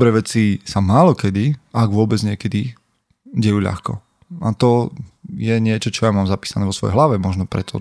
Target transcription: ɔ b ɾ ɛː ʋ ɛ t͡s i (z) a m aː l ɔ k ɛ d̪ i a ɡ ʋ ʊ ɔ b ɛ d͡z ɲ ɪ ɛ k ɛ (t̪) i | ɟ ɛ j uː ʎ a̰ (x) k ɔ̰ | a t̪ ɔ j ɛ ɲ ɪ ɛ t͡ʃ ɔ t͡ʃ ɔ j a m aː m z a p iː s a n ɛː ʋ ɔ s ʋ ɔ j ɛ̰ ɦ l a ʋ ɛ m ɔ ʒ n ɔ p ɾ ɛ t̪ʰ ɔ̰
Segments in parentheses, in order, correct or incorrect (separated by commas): incorrect, incorrect, correct